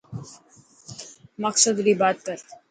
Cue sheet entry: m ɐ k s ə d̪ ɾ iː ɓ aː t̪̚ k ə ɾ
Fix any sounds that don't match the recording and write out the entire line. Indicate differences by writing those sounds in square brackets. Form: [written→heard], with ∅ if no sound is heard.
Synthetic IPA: m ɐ k s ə d̪ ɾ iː [ɓ→b] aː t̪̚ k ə ɾ